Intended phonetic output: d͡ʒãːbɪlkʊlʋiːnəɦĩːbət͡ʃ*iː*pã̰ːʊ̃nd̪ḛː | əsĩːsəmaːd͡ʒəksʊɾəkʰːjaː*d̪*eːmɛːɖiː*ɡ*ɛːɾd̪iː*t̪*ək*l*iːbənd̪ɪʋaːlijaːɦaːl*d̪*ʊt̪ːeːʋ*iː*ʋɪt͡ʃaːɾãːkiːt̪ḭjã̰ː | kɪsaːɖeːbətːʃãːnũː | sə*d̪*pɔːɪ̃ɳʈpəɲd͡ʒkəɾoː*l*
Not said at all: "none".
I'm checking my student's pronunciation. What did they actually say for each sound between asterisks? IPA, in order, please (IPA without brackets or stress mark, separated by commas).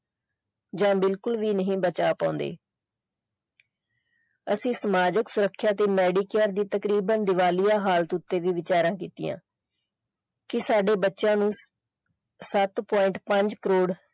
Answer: aː, t̪, k, t̪, ɾ, t̪, iː, t̪, ɽ